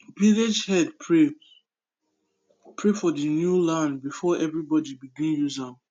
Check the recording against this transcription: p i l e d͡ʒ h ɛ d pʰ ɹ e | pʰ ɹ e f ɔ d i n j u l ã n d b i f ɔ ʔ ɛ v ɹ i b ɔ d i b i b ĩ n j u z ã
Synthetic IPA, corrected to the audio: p i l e d͡ʒ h ɛ d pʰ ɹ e | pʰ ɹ e f ɔ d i n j u l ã n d b i f ɔ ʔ ɛ v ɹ i b ɔ d i b i ɡ ĩ n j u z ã